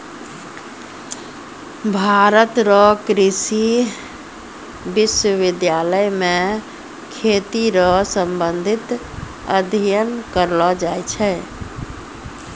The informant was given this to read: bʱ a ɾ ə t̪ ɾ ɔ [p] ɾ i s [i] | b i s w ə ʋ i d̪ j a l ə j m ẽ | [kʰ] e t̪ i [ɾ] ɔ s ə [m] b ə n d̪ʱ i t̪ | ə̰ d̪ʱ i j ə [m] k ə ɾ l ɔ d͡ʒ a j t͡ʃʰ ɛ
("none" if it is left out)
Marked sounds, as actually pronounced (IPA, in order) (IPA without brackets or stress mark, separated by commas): k, i, kʰ, ɾ, m, n